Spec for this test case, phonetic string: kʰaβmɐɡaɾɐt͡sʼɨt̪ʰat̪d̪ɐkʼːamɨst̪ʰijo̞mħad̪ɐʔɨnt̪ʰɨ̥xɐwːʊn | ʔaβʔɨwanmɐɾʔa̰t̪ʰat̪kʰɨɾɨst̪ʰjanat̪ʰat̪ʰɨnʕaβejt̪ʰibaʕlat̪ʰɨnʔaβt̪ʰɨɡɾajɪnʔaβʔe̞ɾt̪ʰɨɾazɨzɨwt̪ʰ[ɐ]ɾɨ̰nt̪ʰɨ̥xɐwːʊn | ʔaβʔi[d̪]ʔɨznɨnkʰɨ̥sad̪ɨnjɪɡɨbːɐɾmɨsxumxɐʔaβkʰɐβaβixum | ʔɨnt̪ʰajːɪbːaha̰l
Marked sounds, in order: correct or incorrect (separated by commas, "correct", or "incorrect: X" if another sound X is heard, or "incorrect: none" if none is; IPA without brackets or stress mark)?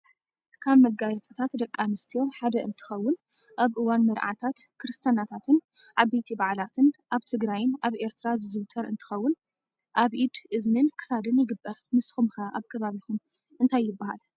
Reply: correct, correct